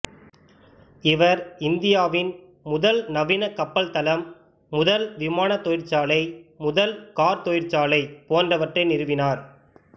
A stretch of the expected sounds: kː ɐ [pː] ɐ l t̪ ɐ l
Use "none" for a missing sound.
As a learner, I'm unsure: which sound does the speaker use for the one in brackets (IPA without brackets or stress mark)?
pː